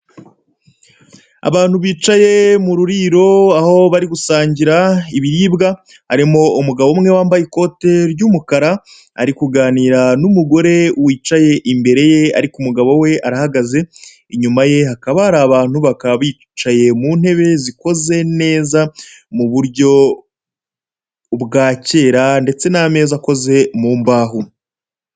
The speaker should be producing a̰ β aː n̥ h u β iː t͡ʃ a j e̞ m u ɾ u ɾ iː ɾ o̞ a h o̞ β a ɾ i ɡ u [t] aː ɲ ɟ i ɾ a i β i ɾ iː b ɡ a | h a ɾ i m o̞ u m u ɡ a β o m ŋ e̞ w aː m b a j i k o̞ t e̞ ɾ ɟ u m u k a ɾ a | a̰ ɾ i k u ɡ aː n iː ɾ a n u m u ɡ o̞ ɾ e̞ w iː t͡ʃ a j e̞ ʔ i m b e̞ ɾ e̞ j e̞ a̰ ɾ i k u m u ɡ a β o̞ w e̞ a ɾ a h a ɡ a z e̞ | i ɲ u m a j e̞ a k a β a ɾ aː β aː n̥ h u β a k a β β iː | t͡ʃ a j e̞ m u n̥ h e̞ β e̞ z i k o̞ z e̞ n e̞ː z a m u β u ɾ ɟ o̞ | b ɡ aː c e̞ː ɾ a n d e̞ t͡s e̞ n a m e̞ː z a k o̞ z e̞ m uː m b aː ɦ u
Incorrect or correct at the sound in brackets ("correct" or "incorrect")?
incorrect